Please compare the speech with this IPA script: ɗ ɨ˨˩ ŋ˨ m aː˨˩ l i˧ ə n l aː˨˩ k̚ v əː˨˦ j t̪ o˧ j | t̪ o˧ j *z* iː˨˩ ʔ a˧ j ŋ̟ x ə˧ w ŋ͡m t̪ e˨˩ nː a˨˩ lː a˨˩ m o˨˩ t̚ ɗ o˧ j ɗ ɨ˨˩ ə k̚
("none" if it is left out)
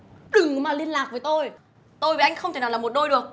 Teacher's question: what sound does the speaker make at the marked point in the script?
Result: v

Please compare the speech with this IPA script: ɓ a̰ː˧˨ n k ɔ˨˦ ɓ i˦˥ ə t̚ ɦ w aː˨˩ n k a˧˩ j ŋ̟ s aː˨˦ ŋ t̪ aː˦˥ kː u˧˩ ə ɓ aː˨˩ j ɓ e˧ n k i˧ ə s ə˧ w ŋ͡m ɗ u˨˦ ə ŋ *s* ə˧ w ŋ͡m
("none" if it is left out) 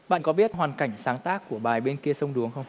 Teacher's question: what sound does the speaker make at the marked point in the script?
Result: x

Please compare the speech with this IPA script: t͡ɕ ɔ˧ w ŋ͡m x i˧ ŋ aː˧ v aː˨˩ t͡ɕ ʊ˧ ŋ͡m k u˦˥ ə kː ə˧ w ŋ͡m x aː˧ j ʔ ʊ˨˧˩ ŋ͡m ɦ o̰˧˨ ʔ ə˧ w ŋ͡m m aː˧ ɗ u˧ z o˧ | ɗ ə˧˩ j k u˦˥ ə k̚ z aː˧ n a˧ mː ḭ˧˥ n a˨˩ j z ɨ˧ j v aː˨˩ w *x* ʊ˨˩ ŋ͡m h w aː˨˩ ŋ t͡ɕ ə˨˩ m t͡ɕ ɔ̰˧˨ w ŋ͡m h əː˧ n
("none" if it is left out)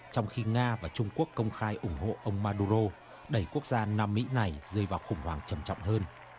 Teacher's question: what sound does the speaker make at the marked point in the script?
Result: x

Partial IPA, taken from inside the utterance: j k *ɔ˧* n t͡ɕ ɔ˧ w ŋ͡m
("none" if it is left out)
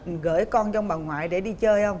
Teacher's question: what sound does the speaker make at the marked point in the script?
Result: ɔ˧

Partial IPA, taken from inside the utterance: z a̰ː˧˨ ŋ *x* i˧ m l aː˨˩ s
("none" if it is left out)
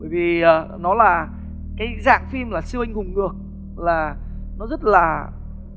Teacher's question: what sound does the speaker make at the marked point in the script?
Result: f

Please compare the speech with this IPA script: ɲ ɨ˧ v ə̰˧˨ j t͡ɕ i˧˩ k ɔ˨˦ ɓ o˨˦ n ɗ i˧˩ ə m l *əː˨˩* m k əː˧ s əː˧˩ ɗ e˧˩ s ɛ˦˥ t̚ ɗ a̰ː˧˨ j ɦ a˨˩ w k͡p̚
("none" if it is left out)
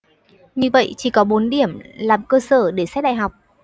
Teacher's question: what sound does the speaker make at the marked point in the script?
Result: aː˨˩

